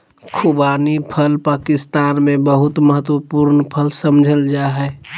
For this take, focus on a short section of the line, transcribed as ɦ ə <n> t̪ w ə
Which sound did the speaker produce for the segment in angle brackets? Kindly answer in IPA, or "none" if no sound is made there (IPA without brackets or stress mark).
none